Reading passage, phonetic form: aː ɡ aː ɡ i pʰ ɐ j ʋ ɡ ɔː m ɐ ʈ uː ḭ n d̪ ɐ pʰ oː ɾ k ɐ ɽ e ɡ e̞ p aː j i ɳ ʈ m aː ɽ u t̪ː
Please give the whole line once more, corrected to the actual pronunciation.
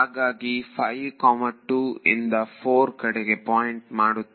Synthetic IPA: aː ɡ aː ɡ i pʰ ɐ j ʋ k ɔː m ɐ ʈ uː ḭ n d̪ ɐ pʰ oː ɾ k ɐ ɽ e ɡ e̞ p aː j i ɳ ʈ m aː ɽ u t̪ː